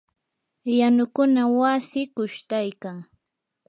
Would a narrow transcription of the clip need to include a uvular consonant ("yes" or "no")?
no